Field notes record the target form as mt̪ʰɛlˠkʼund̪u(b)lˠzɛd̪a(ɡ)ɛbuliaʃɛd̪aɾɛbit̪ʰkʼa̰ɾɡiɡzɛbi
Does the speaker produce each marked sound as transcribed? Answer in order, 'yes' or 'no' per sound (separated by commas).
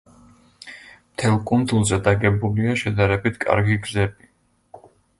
no, yes